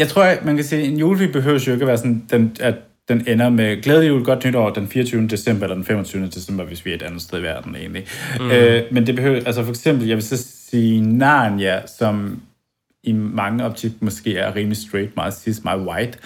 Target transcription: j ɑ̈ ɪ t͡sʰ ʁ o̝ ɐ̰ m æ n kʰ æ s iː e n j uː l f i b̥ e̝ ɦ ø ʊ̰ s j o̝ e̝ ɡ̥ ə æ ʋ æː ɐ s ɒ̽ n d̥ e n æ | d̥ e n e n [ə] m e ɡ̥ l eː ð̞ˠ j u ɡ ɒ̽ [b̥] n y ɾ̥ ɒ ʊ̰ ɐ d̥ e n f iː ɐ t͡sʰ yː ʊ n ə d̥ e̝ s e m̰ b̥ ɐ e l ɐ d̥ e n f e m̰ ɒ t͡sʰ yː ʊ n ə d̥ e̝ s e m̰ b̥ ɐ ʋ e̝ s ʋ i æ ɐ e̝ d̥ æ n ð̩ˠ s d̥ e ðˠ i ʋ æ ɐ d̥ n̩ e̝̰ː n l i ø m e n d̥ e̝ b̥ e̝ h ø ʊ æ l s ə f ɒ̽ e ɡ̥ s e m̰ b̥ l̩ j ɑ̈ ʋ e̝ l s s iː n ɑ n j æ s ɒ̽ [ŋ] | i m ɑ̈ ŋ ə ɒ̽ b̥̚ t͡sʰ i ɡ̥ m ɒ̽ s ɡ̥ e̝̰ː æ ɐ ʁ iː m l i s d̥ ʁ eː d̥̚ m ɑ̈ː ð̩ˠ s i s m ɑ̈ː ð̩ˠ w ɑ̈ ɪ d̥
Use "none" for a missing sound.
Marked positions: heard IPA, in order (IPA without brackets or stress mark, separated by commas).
ɐ, d̥, m